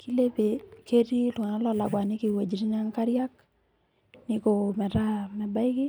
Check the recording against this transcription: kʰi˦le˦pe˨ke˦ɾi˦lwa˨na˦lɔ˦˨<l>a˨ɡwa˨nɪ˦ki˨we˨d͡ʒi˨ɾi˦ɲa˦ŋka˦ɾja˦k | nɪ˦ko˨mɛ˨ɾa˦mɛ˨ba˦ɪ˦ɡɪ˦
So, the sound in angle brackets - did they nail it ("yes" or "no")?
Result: yes